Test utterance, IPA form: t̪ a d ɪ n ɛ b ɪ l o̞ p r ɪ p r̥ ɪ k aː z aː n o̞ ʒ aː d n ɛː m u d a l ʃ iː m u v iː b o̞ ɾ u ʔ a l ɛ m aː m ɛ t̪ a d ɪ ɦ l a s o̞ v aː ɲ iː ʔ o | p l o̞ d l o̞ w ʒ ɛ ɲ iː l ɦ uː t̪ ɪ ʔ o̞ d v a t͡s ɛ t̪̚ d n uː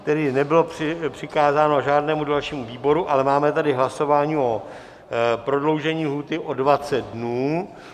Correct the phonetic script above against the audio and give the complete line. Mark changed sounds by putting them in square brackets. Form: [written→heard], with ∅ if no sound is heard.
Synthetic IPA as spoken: t̪ [a→ɛ] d ɪ n ɛ b ɪ l o̞ p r ɪ p r̥ ɪ k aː z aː n o̞ ʒ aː d n ɛː m u d a l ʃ iː m u v iː b o̞ ɾ u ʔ a l ɛ m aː m ɛ t̪ a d ɪ ɦ l a s o̞ v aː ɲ iː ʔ o | p [l→ɾ] o̞ d l o̞ w ʒ ɛ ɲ iː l ɦ uː t̪ ɪ ʔ o̞ d v a t͡s ɛ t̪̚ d n uː